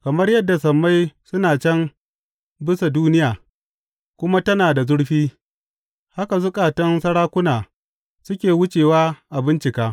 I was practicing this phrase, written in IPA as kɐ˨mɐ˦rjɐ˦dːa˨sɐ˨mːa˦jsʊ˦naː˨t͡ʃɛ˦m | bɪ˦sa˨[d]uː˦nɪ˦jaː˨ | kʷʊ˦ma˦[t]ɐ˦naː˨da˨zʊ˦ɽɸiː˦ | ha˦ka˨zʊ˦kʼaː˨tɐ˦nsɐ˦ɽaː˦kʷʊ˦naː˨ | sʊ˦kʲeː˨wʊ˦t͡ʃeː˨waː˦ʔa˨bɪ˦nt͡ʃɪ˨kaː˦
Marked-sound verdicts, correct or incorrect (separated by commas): correct, correct